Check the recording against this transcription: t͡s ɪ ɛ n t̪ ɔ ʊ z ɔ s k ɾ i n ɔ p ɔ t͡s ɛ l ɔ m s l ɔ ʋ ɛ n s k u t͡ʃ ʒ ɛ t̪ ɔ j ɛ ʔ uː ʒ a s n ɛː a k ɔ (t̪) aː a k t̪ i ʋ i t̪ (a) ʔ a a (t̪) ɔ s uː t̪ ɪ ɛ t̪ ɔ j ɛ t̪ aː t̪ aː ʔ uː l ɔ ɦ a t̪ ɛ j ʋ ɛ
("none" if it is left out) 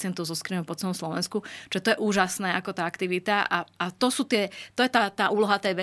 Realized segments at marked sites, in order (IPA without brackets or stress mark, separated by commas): t̪, a, t̪